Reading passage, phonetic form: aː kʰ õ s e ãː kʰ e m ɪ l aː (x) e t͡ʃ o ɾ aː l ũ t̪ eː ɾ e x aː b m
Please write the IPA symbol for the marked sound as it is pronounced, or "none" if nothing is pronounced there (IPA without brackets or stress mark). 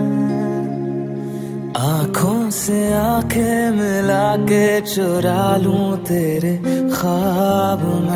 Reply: k